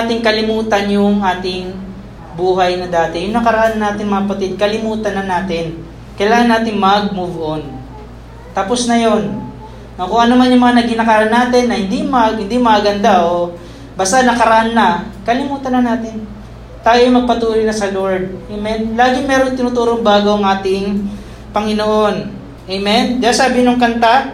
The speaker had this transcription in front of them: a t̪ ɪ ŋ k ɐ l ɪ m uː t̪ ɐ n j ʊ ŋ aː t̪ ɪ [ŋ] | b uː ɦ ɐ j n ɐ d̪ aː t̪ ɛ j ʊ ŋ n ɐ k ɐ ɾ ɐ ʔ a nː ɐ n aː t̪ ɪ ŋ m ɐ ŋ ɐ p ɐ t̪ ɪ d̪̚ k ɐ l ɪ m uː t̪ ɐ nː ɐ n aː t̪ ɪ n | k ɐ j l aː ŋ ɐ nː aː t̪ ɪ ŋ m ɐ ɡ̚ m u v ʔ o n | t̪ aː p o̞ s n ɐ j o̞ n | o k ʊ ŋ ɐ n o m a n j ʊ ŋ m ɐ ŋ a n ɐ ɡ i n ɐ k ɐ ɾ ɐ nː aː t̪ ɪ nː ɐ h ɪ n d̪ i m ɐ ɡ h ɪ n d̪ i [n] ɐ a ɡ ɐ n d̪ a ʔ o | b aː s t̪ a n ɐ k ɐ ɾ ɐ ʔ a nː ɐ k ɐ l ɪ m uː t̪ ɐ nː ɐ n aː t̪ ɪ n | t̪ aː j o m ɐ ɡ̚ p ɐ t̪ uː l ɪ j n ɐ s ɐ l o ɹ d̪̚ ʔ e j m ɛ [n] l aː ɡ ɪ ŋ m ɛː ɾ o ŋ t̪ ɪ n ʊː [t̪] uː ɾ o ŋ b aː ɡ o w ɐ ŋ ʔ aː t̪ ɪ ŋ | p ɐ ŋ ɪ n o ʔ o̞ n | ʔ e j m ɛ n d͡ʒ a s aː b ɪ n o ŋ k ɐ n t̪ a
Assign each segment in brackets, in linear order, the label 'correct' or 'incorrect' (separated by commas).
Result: correct, incorrect, correct, correct